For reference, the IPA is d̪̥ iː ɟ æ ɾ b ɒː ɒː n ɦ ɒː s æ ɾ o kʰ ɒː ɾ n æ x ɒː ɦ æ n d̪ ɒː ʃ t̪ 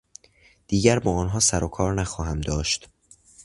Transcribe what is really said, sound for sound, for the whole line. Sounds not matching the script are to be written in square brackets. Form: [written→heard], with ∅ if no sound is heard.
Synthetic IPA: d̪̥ iː ɟ æ ɾ b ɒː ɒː n ɦ ɒː s æ ɾ o kʰ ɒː ɾ n æ x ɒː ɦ æ [n→m] d̪ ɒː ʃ t̪

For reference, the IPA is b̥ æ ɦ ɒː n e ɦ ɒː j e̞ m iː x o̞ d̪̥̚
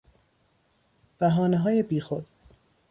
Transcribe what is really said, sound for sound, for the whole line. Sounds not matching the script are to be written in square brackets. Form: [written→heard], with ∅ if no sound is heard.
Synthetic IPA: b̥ æ ɦ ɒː n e ɦ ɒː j e̞ [m→b] iː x o̞ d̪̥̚

